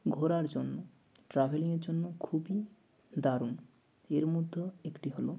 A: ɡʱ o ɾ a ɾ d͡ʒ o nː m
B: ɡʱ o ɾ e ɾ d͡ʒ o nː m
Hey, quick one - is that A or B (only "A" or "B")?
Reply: A